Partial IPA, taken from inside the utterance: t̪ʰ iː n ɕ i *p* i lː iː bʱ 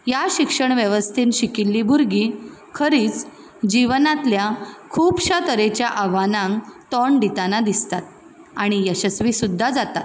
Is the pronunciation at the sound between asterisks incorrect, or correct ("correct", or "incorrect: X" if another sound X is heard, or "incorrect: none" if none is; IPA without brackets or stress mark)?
incorrect: k